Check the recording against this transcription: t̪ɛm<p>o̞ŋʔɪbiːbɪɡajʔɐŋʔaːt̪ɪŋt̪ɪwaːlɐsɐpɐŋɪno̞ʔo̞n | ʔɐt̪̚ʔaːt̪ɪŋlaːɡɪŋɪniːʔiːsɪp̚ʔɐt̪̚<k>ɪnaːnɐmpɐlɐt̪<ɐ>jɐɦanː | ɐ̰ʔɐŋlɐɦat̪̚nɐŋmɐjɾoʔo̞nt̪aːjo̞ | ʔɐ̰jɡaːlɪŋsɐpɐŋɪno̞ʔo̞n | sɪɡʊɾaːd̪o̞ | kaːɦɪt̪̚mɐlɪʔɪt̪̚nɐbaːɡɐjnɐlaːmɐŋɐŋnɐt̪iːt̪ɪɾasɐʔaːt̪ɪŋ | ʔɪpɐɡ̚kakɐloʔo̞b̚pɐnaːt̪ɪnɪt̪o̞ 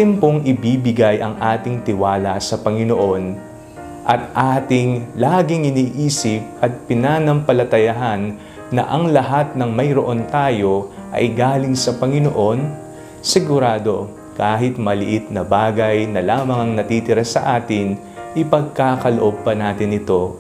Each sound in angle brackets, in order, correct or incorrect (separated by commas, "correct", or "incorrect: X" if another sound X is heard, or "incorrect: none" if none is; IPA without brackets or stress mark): correct, incorrect: p, correct